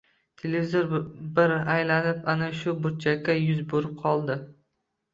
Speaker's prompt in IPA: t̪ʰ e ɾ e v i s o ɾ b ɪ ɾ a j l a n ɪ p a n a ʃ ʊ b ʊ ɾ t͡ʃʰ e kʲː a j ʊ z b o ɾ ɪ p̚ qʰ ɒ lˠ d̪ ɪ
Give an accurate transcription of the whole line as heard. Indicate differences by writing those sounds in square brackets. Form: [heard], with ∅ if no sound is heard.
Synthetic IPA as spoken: t̪ʰ e [l] e v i [z] o ɾ b ɪ ɾ a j l a n ɪ p a n a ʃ ʊ b ʊ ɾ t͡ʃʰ [a] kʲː a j ʊ z b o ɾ ɪ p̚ qʰ ɒ lˠ d̪ ɪ